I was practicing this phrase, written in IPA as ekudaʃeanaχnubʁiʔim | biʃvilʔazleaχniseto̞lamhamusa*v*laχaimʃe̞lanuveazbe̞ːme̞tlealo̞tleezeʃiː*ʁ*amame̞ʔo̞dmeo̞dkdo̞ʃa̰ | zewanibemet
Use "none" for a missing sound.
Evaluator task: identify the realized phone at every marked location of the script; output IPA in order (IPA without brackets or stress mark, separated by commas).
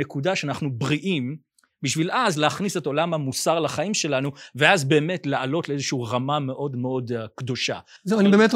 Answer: ʁ, ʁ